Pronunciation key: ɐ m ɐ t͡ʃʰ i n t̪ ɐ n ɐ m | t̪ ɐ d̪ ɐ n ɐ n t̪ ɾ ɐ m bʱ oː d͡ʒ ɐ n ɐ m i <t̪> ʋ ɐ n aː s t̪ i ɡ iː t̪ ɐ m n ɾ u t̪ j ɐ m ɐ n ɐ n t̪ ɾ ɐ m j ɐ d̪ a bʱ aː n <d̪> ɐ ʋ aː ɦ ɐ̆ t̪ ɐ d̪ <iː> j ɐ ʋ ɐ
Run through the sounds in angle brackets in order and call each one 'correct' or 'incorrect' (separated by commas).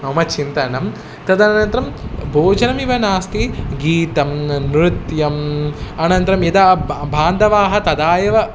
incorrect, correct, incorrect